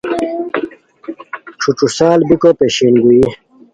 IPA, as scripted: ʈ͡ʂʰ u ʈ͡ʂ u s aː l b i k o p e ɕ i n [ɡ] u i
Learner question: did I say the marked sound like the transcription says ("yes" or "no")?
yes